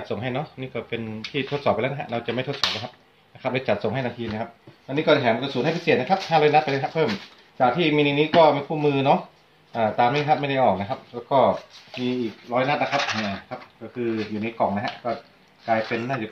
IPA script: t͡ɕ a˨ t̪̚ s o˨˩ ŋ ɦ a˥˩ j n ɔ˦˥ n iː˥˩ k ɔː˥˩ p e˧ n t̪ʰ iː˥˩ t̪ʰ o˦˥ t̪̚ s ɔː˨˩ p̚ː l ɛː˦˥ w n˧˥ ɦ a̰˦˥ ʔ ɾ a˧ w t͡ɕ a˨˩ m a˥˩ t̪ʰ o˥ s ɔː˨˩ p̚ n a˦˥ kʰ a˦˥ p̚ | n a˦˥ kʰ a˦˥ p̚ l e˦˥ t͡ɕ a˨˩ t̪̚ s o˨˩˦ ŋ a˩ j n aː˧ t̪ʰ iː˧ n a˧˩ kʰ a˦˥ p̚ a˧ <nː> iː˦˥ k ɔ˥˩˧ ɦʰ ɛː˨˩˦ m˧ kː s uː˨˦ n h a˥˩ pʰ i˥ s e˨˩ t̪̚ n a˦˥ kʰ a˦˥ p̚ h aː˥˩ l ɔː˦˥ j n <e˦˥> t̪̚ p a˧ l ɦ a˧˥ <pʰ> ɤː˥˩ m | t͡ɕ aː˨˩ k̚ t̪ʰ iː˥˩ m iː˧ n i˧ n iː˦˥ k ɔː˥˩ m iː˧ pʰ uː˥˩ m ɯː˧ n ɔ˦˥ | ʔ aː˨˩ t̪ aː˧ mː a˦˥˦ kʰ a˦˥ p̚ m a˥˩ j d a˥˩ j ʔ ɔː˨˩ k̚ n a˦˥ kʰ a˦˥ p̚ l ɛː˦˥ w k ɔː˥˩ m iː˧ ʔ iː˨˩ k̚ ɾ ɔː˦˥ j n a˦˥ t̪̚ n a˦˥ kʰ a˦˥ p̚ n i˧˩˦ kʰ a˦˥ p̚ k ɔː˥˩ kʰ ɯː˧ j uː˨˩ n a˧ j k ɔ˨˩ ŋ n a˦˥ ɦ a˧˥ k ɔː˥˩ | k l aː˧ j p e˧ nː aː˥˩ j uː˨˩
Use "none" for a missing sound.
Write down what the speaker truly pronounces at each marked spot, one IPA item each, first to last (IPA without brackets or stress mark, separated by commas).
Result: n, a˦˥, pʰ